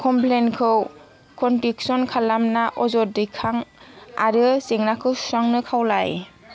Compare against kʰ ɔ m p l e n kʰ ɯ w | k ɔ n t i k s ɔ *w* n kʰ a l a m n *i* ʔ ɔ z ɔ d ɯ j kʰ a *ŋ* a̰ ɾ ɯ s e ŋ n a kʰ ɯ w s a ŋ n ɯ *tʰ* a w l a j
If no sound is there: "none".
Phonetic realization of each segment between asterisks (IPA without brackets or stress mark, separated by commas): none, a, ŋ, kʰ